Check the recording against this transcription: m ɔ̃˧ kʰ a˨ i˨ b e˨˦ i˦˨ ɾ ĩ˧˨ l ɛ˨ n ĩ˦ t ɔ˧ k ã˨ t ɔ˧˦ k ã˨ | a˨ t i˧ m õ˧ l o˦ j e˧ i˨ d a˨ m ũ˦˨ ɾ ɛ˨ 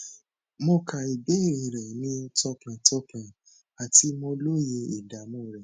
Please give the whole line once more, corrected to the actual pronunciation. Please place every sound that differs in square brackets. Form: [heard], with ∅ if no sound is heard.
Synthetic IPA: m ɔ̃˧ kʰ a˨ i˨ b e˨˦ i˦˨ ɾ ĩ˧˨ [ɾ] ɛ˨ n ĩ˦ t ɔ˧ k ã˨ t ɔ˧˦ k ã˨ | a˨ t i˧ m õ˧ l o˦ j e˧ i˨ d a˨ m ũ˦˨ ɾ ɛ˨